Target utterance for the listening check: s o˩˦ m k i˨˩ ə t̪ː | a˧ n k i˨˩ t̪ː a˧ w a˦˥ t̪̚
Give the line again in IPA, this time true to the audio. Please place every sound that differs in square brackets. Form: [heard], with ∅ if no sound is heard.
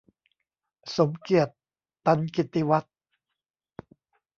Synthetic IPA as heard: s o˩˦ m k i˨˩ ə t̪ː | a˧ n k i˨˩ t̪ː [i˧] w a˦˥ t̪̚